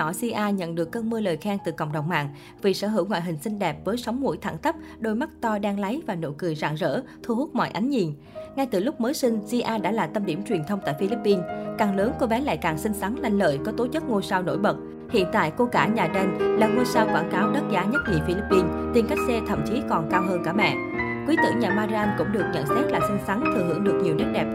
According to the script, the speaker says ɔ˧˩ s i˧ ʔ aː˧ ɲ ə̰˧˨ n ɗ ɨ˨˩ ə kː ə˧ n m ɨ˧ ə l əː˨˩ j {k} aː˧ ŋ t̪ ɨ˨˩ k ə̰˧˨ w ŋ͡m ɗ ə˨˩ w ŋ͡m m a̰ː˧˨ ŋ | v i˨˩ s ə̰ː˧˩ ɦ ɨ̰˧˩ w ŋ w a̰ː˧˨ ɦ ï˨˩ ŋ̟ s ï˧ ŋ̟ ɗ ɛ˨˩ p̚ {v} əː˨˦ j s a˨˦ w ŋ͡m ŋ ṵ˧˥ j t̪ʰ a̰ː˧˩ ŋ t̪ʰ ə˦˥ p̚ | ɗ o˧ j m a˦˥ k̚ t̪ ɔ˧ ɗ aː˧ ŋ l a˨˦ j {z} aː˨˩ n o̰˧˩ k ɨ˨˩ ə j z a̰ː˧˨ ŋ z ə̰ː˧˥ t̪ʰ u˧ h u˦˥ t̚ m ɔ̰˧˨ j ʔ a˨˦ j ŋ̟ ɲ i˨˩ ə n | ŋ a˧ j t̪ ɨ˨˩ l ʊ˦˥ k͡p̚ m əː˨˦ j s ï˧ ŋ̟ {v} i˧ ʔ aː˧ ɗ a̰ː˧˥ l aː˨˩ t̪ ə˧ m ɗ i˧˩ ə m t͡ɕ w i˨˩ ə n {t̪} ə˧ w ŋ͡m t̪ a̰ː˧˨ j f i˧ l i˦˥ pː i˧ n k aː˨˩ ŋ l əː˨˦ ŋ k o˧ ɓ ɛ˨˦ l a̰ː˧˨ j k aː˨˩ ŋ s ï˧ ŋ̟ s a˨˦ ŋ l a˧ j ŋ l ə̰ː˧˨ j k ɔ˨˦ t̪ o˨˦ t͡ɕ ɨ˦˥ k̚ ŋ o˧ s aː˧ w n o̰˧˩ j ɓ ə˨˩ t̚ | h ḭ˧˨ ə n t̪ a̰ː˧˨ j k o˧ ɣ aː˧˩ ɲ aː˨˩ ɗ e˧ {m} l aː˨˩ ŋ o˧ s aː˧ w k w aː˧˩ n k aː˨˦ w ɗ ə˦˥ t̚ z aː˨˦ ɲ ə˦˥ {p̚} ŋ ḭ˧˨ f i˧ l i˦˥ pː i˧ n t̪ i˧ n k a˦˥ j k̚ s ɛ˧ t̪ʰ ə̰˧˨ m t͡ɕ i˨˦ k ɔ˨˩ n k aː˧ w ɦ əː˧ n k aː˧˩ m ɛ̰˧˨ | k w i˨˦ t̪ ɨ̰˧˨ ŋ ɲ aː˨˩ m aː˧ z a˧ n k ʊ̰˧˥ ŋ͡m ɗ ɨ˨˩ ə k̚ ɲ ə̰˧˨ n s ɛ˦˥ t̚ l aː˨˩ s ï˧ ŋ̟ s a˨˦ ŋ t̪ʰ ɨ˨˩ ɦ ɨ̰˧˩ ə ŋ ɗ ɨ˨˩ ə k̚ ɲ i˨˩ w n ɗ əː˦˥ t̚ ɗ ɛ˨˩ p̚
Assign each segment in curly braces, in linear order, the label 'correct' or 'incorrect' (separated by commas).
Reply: incorrect, correct, incorrect, incorrect, incorrect, incorrect, incorrect